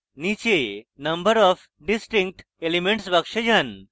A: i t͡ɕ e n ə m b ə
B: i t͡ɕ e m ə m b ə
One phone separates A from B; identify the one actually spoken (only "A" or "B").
A